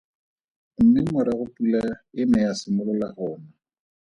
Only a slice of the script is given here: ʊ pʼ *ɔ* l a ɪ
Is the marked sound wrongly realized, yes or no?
yes